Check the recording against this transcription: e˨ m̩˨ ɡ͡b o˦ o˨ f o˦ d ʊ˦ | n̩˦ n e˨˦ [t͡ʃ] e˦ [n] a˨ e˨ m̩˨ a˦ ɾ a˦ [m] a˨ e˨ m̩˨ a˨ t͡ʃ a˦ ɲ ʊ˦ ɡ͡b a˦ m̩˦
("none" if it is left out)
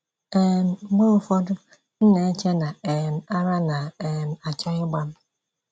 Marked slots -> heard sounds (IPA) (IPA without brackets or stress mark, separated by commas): t͡ʃ, n, n